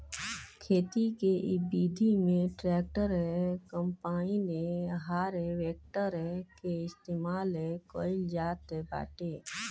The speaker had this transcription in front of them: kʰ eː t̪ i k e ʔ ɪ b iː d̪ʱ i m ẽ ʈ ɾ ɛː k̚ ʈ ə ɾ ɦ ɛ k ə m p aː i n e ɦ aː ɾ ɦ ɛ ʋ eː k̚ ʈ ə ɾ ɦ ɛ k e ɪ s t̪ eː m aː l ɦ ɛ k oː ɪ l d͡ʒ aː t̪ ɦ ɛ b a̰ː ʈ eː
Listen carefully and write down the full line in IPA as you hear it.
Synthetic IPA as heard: kʰ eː t̪ i k e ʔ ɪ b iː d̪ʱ i m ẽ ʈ ɾ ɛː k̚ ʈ ə ɾ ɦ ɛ k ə m p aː i n e ɦ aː ɾ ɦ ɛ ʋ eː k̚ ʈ ə ɾ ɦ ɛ k e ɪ s t̪ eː m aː l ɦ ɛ k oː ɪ l d͡ʒ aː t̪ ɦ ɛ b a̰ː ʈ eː